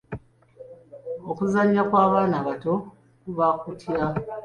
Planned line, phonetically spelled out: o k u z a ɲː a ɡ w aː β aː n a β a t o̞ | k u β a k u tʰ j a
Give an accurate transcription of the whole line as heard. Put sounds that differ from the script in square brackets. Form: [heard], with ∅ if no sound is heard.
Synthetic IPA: o k u z a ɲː a [k] w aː β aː n a β a t o̞ | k u β a k u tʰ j a